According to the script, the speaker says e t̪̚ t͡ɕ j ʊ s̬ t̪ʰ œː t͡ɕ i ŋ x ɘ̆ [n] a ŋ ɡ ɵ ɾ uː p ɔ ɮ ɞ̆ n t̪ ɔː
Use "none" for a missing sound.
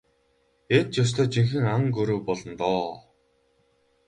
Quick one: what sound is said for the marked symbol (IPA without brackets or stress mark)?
ŋ